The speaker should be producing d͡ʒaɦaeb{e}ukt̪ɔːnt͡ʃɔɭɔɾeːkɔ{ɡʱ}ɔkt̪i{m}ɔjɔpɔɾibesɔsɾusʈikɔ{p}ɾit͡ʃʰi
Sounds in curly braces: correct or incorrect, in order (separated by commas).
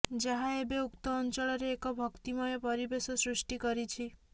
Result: correct, incorrect, correct, incorrect